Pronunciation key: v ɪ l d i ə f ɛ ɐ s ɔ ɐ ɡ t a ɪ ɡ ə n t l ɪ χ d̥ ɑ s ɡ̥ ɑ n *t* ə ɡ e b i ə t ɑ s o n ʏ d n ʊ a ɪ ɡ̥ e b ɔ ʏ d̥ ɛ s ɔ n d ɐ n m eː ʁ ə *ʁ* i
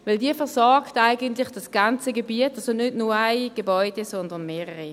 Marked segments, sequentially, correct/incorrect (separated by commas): incorrect, correct